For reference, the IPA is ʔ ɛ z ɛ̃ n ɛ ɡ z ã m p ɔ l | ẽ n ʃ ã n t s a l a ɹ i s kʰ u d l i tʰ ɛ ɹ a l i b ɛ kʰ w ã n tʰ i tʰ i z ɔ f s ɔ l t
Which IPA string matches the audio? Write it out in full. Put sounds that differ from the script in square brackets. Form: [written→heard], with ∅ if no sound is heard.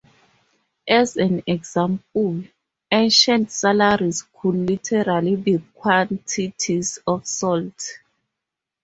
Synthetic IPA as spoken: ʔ ɛ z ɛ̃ n ɛ ɡ z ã m p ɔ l | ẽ n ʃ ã n t s a l a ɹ i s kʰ u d l i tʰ ɛ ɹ a l i b [ɛ→i] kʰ w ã n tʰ i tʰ i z ɔ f s ɔ l t